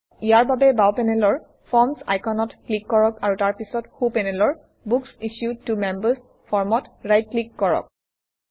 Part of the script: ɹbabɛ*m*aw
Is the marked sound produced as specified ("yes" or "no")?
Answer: no